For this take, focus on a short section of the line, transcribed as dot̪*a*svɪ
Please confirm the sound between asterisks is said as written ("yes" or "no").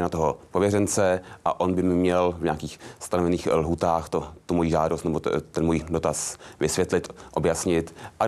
yes